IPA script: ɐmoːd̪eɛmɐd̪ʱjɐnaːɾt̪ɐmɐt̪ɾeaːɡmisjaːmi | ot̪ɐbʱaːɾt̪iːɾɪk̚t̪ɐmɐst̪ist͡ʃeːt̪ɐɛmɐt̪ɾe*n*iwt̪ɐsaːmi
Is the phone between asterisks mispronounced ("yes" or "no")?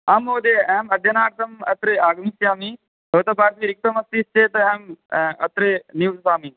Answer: no